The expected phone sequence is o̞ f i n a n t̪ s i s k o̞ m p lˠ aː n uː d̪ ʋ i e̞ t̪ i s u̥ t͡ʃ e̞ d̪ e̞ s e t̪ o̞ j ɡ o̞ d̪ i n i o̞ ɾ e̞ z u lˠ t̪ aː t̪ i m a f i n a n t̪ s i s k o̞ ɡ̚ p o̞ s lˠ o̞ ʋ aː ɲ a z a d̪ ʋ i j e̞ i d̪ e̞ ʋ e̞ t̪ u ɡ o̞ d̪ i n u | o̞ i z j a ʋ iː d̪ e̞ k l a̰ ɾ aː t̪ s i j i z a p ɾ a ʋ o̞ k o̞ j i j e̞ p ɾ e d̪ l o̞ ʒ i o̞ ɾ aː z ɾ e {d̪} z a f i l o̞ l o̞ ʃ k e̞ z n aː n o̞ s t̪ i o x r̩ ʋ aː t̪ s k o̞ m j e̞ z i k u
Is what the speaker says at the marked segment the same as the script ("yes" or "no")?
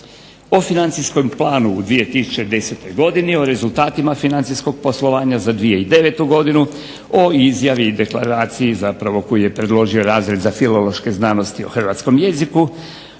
yes